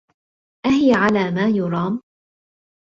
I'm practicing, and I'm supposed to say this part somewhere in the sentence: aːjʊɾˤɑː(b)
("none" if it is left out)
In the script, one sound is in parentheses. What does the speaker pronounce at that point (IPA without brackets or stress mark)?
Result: m